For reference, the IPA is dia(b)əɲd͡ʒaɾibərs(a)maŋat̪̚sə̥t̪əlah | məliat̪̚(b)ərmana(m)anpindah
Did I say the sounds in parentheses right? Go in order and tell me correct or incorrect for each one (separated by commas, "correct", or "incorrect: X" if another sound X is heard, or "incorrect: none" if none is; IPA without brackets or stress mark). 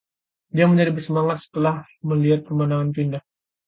incorrect: m, incorrect: ə, incorrect: p, incorrect: ŋ